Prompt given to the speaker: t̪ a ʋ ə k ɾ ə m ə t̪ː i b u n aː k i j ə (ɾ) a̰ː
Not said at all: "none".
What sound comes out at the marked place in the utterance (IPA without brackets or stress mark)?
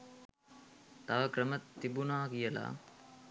l